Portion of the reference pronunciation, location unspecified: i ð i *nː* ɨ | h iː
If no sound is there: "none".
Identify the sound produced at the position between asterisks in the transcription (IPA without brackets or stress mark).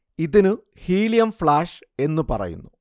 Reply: n